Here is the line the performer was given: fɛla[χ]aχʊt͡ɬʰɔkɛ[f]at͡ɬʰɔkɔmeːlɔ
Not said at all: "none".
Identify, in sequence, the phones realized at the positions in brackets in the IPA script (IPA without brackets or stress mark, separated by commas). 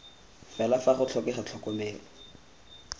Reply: f, χ